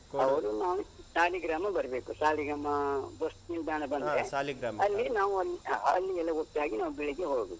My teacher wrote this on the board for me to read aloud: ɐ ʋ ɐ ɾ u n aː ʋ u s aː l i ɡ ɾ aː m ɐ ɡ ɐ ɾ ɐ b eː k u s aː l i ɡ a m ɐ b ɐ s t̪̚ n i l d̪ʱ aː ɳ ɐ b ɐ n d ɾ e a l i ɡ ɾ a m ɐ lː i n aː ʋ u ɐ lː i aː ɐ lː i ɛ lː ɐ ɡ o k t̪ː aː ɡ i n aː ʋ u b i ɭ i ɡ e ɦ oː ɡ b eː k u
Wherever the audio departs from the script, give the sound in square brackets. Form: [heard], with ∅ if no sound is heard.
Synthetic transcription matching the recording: ɐ ʋ ɐ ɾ u n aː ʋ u s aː l i ɡ ɾ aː m ɐ [b] ɐ ɾ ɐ b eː k u s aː l i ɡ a m ɐ b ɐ s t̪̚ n i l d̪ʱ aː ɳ ɐ b ɐ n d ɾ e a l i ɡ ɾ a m ɐ lː i n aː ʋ u ɐ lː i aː ɐ lː i ɛ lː ɐ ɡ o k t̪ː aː ɡ i n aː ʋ u b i ɭ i ɡ e ɦ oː ɡ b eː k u